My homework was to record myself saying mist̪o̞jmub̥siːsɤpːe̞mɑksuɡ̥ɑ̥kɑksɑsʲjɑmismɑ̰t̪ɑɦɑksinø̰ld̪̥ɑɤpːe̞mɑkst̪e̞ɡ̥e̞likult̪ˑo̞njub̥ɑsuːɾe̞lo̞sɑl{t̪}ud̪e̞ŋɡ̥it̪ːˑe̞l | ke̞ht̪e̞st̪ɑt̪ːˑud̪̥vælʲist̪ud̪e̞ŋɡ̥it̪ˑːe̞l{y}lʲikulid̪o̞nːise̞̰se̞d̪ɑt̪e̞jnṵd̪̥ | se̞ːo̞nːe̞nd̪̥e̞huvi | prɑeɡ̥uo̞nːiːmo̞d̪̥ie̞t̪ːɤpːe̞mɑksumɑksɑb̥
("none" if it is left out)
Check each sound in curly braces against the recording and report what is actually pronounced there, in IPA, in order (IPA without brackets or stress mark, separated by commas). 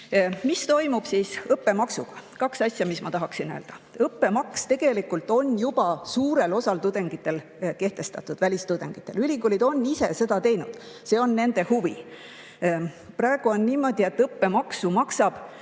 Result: t̪, y